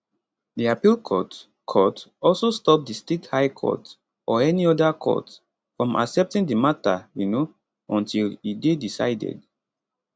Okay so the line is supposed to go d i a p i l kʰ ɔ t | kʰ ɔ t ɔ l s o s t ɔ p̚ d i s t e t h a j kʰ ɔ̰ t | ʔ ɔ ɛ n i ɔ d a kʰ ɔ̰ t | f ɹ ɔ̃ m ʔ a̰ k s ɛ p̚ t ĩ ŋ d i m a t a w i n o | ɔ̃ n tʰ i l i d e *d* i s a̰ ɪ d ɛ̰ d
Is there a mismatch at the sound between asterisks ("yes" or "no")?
no